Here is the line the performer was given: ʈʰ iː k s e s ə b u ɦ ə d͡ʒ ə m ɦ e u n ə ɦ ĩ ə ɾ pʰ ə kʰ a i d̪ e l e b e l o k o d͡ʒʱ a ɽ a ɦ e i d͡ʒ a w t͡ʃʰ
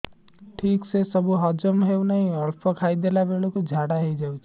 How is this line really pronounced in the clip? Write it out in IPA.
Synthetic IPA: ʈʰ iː k s e s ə b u ɦ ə d͡ʒ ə m ɦ e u n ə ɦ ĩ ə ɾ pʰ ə kʰ a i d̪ e l a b e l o k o d͡ʒʱ a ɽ a ɦ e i d͡ʒ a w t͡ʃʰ